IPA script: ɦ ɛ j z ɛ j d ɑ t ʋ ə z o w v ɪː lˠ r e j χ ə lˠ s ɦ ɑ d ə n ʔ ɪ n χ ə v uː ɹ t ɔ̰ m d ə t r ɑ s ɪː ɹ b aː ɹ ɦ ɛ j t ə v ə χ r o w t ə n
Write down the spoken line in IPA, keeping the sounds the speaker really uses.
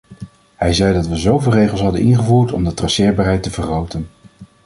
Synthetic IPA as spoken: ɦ ɛ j z ɛ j d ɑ t ʋ ə z o w v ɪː lˠ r e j χ ə lˠ s ɦ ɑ d ə n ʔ ɪ n χ ə v uː ɹ t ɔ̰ m d ə t r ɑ s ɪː ɹ b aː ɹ ɦ ɛ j t ə v ə χ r o w t ə n